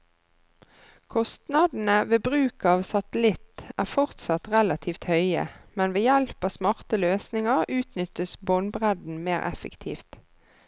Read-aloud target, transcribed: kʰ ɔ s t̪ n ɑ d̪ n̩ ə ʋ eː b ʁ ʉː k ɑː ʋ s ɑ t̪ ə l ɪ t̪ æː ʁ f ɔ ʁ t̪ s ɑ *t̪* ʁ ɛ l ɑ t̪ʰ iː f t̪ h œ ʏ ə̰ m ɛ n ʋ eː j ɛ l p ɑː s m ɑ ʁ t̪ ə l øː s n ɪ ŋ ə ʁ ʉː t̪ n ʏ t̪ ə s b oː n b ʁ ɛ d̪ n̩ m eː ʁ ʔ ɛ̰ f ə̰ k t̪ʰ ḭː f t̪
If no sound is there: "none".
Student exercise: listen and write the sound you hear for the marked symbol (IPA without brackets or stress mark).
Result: t̪